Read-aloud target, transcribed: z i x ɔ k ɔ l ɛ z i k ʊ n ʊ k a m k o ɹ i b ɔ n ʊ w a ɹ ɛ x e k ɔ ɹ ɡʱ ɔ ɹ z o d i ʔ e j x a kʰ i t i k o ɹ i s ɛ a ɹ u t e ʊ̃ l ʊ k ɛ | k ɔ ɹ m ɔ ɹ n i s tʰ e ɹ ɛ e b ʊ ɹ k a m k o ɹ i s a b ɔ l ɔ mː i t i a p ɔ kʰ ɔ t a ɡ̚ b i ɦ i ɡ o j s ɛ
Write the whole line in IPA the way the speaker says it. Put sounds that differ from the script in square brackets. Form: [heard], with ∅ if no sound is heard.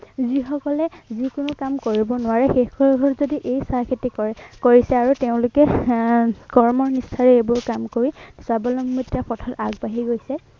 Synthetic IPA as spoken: z i x ɔ k ɔ l ɛ z i k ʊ n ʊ k a m k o ɹ i b ɔ n ʊ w a ɹ ɛ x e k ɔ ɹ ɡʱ ɔ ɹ z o d i ʔ e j [s] a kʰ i t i k o ɹ i s ɛ a ɹ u t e ʊ̃ l ʊ k ɛ | k ɔ ɹ m ɔ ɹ n i s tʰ [a] ɹ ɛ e b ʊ ɹ k a m k o ɹ i s a b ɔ l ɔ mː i t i a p ɔ [tʰ] ɔ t a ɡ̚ b [a] ɦ i ɡ o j s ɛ

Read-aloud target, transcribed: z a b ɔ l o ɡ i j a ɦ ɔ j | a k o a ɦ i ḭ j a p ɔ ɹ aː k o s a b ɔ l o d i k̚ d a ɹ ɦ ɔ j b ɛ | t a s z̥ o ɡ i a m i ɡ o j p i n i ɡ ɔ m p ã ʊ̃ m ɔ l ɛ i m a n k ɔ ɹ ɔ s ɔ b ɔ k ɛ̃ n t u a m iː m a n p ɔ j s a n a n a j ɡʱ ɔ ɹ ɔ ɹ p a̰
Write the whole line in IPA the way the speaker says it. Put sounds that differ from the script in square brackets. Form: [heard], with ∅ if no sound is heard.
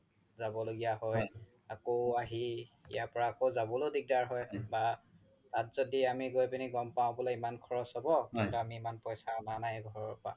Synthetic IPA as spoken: z a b ɔ l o ɡ i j a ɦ ɔ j | a k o a ɦ i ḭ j a p ɔ ɹ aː k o [z] a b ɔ l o d i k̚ d a ɹ ɦ ɔ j b [a] | t a [t] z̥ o [d] i a m i ɡ o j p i n i ɡ ɔ m p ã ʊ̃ [b] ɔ l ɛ i m a n [kʰ] ɔ ɹ ɔ s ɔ b ɔ k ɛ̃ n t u a m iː m a n p ɔ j s a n a n a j ɡʱ ɔ ɹ ɔ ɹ p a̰

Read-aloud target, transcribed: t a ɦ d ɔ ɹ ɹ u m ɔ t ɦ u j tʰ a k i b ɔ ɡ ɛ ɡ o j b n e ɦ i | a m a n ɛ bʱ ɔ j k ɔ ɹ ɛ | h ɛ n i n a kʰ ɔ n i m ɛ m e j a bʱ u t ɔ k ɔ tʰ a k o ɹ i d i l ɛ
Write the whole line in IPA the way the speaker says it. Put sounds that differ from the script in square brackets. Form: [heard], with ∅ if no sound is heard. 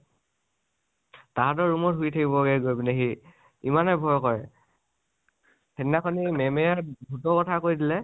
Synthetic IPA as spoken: t a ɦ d ɔ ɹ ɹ u m ɔ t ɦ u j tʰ a k i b ɔ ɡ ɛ ɡ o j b n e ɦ i | [i] m a n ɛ bʱ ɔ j k ɔ ɹ ɛ | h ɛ n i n a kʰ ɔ n i m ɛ m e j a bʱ u t ɔ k ɔ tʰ a k o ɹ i d i l ɛ

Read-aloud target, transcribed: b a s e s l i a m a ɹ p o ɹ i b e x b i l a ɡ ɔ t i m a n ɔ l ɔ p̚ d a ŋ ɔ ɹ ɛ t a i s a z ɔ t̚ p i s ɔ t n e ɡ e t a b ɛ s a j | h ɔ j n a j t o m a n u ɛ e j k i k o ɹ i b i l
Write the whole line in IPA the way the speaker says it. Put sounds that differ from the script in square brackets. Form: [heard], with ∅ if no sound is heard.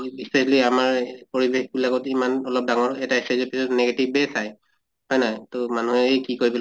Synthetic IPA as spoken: b [i] s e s l i a m a ɹ p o ɹ i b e x b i l a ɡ ɔ t i m a n ɔ l ɔ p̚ d a ŋ ɔ ɹ ɛ t a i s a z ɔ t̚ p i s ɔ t n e ɡ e t [i] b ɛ s a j | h ɔ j n a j t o m a n u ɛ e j k i k o ɹ i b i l

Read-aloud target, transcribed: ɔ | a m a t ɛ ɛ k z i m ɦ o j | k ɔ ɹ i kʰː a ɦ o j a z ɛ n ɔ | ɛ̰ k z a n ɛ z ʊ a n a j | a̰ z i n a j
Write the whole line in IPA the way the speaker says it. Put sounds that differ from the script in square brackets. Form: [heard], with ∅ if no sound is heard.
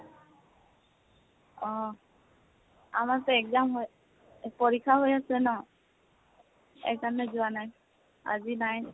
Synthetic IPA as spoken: ɔ | a m a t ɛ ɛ k z [a] m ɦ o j | [p] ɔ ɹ i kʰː a ɦ o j a [s] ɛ n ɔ | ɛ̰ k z a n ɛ z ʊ a n a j | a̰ z i n a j

